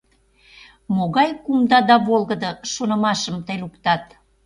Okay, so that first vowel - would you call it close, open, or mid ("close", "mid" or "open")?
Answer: mid